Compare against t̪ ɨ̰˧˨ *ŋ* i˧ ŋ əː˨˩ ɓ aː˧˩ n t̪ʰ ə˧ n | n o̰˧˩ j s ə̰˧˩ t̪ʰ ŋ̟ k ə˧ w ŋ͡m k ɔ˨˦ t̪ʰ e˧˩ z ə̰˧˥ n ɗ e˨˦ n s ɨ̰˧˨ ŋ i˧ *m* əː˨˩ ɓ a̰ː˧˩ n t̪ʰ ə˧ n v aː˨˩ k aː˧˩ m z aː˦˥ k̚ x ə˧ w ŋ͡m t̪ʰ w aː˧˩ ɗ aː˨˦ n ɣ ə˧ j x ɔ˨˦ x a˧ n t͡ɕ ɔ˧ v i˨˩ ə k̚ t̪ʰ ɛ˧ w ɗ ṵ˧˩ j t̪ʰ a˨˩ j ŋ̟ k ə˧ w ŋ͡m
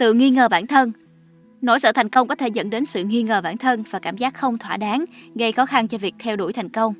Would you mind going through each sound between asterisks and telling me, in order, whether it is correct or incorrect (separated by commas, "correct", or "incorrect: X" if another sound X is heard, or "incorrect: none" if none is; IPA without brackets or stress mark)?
correct, incorrect: ŋ